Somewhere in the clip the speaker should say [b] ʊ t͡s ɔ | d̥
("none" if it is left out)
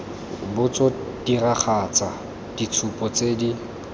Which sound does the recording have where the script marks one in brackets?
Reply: b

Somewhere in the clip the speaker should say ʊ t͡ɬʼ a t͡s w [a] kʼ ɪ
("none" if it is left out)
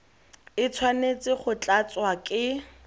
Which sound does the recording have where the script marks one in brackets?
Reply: a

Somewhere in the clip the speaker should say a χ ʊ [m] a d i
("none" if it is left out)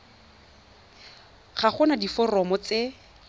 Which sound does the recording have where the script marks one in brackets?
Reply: n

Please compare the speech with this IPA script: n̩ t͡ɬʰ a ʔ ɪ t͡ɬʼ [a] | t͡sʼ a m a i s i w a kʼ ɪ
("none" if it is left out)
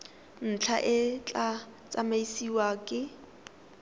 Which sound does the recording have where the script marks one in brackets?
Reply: a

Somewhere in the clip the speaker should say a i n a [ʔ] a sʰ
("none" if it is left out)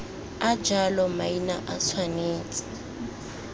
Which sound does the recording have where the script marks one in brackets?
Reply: ʔ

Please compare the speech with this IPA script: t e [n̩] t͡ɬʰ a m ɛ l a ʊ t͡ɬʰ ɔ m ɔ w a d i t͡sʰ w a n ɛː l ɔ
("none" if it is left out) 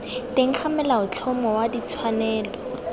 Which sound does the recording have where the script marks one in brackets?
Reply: ŋ̩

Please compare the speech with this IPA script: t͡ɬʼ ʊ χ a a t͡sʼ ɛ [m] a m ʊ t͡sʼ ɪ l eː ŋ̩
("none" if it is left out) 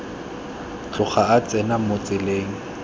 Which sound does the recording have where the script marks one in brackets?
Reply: n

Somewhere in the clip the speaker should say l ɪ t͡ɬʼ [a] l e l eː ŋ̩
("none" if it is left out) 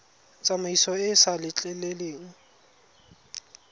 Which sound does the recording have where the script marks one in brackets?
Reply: ɛ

